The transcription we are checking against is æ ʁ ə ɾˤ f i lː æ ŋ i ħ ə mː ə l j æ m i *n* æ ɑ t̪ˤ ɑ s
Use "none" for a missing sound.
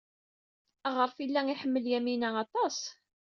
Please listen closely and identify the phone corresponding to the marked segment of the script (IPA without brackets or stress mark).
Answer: n